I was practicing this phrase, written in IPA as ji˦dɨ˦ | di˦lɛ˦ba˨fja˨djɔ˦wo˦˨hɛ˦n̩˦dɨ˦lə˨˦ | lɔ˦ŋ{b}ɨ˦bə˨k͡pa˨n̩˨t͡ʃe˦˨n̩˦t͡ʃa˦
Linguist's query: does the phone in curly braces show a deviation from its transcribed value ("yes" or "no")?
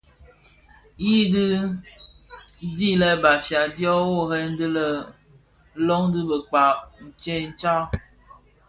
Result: yes